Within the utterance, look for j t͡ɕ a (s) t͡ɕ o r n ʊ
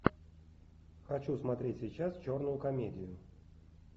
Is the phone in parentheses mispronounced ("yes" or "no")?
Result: no